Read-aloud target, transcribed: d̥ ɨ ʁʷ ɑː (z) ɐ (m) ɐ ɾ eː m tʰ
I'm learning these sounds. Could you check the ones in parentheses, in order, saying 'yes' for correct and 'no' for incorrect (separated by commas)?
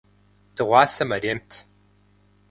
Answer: no, yes